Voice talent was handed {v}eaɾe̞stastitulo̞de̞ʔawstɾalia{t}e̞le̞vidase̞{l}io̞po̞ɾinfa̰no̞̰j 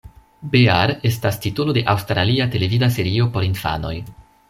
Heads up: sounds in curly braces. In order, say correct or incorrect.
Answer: incorrect, correct, incorrect

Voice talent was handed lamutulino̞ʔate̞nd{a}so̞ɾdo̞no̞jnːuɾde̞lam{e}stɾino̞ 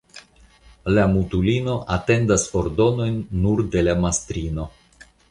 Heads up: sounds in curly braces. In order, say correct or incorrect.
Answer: correct, incorrect

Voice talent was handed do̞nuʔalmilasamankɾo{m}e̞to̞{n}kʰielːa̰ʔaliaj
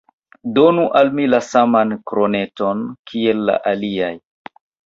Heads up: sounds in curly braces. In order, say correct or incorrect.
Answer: incorrect, correct

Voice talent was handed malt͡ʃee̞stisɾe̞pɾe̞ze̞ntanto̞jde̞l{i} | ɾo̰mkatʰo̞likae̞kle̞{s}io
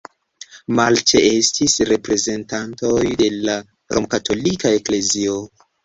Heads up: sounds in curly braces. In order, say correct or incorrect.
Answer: incorrect, incorrect

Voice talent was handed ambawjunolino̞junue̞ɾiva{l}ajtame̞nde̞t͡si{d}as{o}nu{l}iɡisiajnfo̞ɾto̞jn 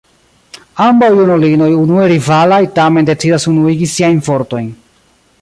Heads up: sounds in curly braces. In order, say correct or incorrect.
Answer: correct, correct, incorrect, incorrect

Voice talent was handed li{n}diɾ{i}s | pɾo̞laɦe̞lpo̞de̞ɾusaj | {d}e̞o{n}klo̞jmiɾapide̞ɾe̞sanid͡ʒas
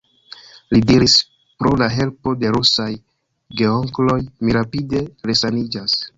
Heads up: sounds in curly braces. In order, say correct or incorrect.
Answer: incorrect, correct, incorrect, incorrect

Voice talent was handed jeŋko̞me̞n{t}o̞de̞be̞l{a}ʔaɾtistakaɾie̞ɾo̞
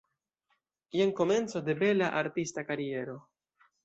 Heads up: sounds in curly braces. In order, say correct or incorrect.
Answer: incorrect, correct

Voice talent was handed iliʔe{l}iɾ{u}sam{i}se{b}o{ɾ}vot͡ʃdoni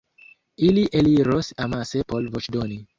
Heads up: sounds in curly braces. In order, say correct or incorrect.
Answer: correct, incorrect, incorrect, incorrect, incorrect

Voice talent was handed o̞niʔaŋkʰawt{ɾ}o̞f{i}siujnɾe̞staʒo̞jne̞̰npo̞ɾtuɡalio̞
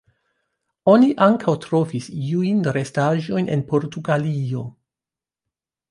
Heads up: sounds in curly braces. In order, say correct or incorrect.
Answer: correct, correct

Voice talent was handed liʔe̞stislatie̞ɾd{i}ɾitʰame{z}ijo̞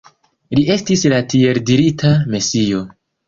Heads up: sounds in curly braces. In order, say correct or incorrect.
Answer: correct, incorrect

